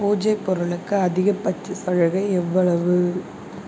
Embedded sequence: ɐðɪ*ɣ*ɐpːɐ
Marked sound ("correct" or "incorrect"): correct